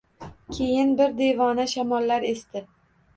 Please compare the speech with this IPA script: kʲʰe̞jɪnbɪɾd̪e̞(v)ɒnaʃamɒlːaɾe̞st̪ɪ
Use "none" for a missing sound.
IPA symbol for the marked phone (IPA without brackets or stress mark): v